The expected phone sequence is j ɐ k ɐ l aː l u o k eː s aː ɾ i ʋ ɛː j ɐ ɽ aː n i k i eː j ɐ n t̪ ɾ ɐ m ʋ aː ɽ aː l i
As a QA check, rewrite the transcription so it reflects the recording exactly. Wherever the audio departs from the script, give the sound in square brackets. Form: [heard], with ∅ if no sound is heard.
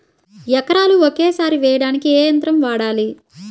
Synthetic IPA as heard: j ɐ k ɐ [ɾ] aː l u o k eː s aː ɾ i ʋ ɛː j ɐ ɽ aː n i k i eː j ɐ n t̪ ɾ ɐ m ʋ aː ɽ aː l i